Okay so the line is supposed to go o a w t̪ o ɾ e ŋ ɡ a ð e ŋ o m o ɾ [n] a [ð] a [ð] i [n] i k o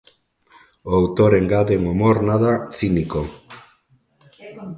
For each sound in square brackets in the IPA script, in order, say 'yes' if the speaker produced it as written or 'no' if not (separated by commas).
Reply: yes, yes, no, yes